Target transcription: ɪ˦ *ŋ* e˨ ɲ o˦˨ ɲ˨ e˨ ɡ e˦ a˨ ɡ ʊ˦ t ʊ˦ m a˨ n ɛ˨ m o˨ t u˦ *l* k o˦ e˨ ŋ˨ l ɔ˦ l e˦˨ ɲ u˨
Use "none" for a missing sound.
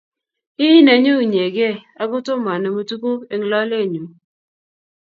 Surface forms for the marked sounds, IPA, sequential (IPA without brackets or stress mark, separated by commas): n, none